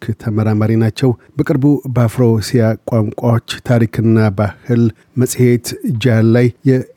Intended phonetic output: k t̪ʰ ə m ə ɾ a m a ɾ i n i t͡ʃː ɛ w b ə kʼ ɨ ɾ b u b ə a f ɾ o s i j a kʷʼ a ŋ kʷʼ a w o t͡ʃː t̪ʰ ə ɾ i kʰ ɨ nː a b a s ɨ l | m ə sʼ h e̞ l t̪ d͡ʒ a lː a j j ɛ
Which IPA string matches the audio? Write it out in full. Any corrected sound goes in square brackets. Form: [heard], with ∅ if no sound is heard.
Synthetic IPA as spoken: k t̪ʰ ə m ə ɾ a m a ɾ i n [a] t͡ʃː ɛ w b ə kʼ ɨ ɾ b u b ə a f ɾ o s i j a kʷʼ a ŋ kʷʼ a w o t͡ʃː t̪ʰ [a] ɾ i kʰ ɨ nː a b a [h] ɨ l | m ə sʼ h e̞ [∅] t̪ d͡ʒ a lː a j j ɛ